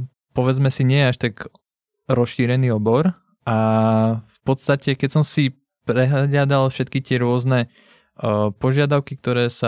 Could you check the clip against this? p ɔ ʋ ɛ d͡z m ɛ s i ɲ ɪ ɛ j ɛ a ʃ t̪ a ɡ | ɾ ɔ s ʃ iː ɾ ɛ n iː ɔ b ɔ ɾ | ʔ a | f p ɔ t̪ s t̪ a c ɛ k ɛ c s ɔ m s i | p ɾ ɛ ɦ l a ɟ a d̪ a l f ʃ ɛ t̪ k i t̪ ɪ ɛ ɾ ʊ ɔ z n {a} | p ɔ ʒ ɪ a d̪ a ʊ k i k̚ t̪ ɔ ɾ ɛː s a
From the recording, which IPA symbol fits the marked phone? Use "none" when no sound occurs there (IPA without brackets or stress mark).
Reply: ɛ